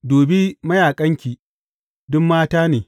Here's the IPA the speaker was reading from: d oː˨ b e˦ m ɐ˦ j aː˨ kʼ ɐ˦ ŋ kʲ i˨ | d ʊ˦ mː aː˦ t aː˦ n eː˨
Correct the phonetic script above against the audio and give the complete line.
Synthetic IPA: d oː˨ b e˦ m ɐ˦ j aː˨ kʼ ɐ˦ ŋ kʲ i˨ | d ʊ˦ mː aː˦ t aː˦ n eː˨

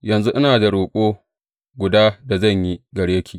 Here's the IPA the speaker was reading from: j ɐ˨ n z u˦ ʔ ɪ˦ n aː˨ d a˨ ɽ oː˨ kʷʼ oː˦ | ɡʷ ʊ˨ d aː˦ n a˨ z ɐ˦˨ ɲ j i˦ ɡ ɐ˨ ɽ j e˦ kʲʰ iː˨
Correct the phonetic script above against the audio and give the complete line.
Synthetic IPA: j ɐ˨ n z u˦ ʔ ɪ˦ n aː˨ d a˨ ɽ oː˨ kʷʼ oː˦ | ɡʷ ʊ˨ d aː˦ d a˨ z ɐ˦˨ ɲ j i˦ ɡ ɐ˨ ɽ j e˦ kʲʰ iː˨

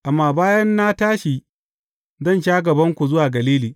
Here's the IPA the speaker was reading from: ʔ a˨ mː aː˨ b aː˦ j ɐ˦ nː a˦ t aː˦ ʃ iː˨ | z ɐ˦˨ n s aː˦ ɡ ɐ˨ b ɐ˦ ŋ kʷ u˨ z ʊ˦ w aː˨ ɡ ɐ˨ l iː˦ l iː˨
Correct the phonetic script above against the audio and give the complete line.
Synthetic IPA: ʔ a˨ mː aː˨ b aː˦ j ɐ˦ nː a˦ t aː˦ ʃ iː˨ | z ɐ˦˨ n ʃ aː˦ ɡ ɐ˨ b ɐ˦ ŋ kʷ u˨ z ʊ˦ w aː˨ ɡ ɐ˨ l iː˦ l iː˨

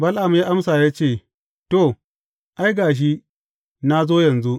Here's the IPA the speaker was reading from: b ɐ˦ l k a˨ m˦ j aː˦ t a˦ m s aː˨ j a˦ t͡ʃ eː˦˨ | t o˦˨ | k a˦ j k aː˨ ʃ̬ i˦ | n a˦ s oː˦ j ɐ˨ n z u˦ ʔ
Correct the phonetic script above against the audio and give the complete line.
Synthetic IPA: b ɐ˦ l ʔ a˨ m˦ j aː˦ ʔ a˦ m s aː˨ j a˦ t͡ʃ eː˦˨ | t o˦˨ | ʔ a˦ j ɡ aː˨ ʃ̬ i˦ | n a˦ z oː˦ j ɐ˨ n z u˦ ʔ

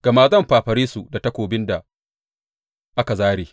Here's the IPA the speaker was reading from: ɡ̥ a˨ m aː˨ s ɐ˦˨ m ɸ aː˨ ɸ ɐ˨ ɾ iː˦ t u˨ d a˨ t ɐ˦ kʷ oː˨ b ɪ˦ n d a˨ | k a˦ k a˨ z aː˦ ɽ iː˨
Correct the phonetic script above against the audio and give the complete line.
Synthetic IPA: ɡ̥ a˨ m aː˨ z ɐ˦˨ m ɸ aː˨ ɸ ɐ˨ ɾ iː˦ s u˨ d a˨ t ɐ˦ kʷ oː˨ b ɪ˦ n d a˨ | ʔ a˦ k a˨ z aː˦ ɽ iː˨

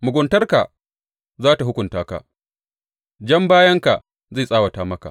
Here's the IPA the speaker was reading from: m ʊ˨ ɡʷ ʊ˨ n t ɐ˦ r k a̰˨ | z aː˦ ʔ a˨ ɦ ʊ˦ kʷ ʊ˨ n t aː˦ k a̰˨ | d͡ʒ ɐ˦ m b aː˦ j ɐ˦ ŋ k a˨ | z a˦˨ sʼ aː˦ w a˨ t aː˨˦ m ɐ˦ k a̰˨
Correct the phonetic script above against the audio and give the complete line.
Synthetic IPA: m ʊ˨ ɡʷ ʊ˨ n t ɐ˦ r k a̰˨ | z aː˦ t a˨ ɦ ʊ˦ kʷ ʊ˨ n t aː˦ k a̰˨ | d͡ʒ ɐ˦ m b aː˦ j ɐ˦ ŋ k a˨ | z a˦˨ sʼ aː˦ w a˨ t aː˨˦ m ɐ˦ k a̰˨

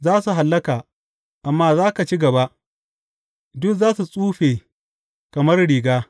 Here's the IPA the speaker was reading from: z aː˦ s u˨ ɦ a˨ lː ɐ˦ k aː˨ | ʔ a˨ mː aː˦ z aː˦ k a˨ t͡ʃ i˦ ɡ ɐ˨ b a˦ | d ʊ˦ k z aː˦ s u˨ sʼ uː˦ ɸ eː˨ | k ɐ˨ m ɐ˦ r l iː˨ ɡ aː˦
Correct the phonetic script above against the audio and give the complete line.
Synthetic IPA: z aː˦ s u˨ ɦ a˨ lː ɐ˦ k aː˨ | ʔ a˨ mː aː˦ z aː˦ k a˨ t͡ʃ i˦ ɡ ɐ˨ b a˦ | d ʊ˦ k z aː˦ s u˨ sʼ uː˦ ɸ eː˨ | k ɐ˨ m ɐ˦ r ɽ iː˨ ɡ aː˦

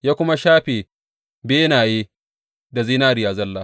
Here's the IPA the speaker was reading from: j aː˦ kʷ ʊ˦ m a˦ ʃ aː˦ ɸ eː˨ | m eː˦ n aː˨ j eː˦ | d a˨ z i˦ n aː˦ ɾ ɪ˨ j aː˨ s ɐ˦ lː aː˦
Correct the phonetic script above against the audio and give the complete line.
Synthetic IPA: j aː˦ kʷ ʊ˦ m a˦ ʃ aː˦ ɸ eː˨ | b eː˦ n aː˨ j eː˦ | d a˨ z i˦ n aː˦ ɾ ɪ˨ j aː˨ z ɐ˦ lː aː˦

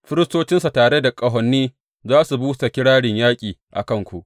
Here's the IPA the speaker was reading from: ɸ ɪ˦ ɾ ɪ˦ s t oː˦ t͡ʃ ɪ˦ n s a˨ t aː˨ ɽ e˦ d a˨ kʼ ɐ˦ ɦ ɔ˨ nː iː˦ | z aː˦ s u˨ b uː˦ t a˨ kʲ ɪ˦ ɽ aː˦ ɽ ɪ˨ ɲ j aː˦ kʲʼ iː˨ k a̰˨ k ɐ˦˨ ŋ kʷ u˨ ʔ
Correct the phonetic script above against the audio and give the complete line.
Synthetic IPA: ɸ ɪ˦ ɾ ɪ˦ s t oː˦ t͡ʃ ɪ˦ n s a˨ t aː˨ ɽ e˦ d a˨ kʼ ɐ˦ ɦ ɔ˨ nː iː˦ | z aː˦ s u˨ b uː˦ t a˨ kʲ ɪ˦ ɽ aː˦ ɽ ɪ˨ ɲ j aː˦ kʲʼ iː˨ ʔ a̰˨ k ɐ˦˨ ŋ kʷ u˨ ʔ

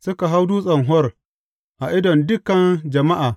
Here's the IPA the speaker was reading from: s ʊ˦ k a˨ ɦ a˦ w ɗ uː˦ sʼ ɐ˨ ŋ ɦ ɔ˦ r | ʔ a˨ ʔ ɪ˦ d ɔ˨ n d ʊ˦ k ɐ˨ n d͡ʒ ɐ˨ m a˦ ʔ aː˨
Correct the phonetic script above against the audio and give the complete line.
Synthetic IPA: s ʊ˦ k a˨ ɦ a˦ w d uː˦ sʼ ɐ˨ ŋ ɦ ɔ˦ r | ʔ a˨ ʔ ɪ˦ d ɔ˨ n d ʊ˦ k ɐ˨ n d͡ʒ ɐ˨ m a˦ ʔ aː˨

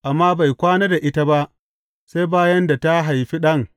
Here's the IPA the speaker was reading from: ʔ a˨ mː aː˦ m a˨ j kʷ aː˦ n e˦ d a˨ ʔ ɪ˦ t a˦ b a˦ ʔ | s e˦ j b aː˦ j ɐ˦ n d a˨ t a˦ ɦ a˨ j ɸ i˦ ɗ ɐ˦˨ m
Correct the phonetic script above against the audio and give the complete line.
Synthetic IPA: ʔ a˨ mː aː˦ b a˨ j kʷ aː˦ n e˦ d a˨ ʔ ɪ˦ t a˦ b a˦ ʔ | s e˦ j b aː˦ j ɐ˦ n d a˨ t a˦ ɦ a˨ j ɸ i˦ ɗ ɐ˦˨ ŋ

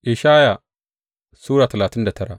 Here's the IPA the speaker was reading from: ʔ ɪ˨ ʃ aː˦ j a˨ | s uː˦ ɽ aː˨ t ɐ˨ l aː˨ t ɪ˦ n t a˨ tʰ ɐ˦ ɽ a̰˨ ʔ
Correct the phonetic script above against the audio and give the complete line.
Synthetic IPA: ʔ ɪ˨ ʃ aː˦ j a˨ | s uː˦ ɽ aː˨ t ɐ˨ l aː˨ t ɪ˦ n d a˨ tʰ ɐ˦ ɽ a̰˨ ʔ

